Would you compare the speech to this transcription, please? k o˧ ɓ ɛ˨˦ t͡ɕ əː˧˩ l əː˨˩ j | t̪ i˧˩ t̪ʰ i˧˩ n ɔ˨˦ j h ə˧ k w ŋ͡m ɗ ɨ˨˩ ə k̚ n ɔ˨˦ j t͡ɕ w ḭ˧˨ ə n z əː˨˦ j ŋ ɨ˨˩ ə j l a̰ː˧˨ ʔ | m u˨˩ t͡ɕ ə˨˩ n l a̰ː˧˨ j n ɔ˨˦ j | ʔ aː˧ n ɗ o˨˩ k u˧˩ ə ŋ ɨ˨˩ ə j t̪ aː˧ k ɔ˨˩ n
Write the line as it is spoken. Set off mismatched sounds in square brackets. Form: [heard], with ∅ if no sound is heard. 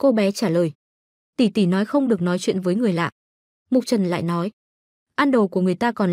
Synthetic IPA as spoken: k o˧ ɓ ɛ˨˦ t͡ɕ [aː˧˩] l əː˨˩ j | t̪ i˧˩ [t̪] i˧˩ n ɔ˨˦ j [x] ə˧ [∅] w ŋ͡m ɗ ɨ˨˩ ə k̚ n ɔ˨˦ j t͡ɕ w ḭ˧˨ ə n [v] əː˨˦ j ŋ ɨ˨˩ ə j l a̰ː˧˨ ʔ | m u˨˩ t͡ɕ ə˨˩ n l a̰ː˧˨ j n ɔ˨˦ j | ʔ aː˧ n ɗ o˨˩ k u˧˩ ə ŋ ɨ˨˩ ə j t̪ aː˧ k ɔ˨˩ n